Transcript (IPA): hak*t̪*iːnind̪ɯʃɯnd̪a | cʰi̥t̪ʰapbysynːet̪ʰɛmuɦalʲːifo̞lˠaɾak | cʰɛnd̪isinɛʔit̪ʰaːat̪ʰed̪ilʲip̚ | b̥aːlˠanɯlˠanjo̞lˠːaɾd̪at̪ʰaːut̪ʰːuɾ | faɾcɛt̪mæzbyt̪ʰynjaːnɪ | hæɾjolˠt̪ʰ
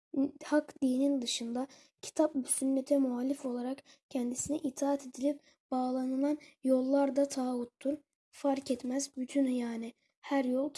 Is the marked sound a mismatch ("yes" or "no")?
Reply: yes